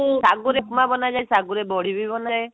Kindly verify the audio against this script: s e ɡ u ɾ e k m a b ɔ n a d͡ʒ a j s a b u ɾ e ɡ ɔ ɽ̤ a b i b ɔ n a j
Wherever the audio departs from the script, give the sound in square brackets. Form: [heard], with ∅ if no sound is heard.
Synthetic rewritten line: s [a] ɡ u ɾ e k m a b ɔ n a d͡ʒ a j s a [ɡ] u ɾ e [b] ɔ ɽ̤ [i] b i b ɔ n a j